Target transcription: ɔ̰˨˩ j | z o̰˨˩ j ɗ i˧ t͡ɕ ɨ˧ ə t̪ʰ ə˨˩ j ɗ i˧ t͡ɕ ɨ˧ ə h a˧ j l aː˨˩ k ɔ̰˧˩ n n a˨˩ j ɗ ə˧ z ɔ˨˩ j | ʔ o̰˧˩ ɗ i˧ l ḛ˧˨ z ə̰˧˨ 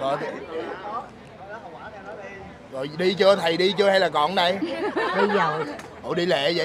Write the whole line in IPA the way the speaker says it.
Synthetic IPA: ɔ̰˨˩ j | z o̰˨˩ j ɗ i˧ t͡ɕ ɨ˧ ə t̪ʰ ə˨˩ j ɗ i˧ t͡ɕ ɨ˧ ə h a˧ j l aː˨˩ k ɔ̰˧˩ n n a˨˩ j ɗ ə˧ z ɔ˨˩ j | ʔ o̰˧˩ ɗ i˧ l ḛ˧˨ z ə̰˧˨